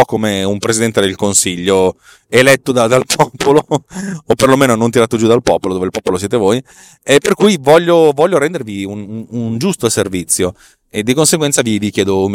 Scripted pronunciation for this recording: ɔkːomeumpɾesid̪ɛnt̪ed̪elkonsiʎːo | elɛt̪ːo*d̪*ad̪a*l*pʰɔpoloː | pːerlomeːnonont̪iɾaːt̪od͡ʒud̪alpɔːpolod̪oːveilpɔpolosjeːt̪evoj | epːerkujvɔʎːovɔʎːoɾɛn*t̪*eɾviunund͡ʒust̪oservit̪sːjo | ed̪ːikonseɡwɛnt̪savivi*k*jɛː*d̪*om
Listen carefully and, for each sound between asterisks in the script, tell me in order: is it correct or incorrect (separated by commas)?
correct, correct, incorrect, correct, correct